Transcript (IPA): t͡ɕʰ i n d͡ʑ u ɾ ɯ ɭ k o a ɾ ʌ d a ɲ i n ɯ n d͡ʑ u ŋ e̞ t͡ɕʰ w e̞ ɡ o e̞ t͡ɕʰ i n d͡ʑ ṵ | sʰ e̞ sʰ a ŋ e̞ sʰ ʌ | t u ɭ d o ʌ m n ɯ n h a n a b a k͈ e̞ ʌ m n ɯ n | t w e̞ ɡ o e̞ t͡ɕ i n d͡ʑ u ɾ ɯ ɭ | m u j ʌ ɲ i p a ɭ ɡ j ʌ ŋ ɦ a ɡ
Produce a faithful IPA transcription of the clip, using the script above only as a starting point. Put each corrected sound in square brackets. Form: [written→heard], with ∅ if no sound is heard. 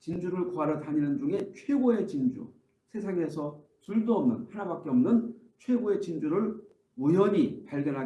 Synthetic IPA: [t͡ɕʰ→t͡ɕ] i n d͡ʑ u ɾ ɯ ɭ k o a ɾ ʌ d a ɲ i n ɯ n d͡ʑ u ŋ e̞ t͡ɕʰ w e̞ ɡ o e̞ [t͡ɕʰ→t͡ɕ] i n d͡ʑ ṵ | sʰ e̞ sʰ a ŋ e̞ sʰ ʌ | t u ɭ d o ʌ m n ɯ n h a n a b a k͈ e̞ ʌ m n ɯ n | [t→t͡ɕʰ] w e̞ ɡ o e̞ t͡ɕ i n d͡ʑ u ɾ ɯ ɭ | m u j ʌ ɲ i p a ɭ ɡ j ʌ [ŋ→n] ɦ a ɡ